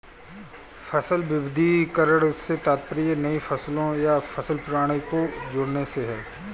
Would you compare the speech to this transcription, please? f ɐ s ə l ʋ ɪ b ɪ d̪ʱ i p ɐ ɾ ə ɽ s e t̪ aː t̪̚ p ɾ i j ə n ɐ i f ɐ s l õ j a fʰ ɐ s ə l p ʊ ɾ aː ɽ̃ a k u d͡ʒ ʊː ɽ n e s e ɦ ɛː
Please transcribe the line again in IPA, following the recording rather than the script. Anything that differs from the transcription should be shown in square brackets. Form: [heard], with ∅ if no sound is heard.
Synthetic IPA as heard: f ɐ s ə l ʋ ɪ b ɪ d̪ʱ i [k] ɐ ɾ ə ɽ s e t̪ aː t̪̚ p ɾ i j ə n ɐ i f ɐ s l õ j a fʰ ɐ s ə l p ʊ ɾ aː ɽ̃ [i] k [o] d͡ʒ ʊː ɽ n e s e ɦ ɛː